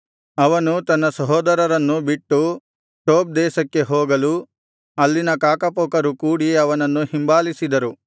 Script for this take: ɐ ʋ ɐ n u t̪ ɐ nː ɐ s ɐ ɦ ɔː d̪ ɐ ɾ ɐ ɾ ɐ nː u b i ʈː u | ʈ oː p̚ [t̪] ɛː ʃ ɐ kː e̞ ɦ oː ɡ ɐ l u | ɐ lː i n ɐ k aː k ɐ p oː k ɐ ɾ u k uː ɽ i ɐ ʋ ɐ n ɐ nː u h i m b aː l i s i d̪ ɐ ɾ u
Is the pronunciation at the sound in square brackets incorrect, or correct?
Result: incorrect: d̪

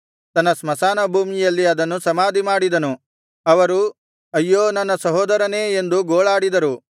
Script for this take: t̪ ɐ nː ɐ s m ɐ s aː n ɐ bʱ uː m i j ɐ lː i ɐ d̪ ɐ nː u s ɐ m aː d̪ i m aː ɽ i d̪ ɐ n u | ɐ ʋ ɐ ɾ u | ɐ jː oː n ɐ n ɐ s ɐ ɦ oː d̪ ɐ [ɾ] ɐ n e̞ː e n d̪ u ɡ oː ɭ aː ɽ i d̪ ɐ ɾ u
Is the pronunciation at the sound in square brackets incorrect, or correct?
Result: correct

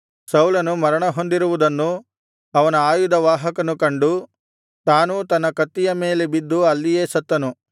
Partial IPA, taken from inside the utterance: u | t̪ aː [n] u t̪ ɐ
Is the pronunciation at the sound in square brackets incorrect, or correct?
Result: correct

